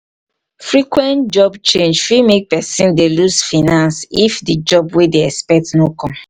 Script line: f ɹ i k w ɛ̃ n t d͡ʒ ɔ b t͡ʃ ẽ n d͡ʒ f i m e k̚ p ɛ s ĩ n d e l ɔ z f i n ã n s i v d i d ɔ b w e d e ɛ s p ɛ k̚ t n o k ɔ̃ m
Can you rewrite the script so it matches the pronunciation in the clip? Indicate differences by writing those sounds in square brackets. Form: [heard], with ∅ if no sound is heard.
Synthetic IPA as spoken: f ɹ i k w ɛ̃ n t d͡ʒ ɔ b t͡ʃ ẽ n d͡ʒ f i m e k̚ p ɛ s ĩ n d e l [u] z f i n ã n s i [f] d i [d͡ʒ] ɔ b w e d e ɛ s p ɛ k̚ t n o k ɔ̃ m